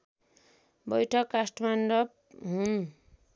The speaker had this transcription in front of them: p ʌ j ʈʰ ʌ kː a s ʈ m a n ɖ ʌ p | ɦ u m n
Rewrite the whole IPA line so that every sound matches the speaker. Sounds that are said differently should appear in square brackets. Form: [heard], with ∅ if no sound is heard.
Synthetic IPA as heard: [b] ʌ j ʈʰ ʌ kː a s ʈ m a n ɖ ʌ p | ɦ u [∅] n